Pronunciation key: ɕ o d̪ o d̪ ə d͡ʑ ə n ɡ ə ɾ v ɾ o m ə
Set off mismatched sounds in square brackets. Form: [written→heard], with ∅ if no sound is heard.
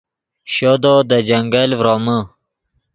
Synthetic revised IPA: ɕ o d̪ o d̪ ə d͡ʑ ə [n→ŋ] ɡ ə [ɾ→l] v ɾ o m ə